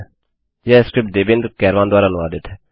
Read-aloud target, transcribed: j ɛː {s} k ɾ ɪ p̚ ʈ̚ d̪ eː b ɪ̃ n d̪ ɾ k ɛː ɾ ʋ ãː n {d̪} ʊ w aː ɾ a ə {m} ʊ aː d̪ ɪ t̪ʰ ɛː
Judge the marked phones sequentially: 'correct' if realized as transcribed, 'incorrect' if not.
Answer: correct, correct, incorrect

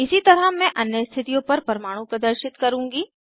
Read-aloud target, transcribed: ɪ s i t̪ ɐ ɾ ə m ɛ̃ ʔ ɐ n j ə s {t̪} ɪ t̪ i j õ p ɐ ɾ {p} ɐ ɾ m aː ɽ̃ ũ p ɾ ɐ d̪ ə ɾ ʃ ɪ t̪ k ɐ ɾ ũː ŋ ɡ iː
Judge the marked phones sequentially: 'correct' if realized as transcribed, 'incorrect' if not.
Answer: incorrect, correct

